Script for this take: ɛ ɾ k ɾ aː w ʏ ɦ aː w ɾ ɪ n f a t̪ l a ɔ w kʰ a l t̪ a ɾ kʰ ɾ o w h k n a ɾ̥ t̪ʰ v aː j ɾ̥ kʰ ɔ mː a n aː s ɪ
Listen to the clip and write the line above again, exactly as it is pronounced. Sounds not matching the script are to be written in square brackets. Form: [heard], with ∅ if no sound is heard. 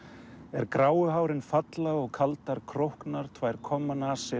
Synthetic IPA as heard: ɛ ɾ k ɾ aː w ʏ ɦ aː w ɾ ɪ n f a t̪ l a ɔ [ɣ] kʰ a l t̪ a ɾ kʰ ɾ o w h k n a ɾ̥ t̪ʰ v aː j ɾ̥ kʰ ɔ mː a n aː s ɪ